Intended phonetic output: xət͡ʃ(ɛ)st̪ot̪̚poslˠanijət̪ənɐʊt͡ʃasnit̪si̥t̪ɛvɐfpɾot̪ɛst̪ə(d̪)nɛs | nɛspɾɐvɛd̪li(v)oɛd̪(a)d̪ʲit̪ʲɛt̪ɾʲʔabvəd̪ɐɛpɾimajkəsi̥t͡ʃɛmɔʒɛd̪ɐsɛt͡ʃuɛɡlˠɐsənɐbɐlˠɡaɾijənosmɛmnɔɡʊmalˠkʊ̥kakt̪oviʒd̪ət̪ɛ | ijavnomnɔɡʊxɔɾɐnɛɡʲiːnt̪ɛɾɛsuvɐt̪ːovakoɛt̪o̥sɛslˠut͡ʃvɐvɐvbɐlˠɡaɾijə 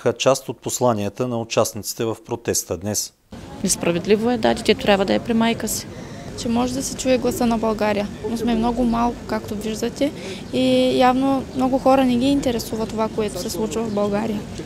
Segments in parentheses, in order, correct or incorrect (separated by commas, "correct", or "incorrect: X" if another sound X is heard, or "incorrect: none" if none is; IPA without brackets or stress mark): incorrect: a, correct, correct, correct